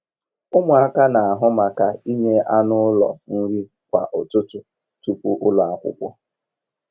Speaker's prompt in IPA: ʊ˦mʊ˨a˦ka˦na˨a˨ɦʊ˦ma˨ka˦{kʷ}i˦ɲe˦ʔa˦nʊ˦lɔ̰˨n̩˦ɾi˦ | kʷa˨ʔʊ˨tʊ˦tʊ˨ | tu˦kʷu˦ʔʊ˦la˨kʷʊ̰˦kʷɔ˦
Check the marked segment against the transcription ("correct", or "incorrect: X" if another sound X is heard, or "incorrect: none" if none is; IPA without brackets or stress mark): incorrect: none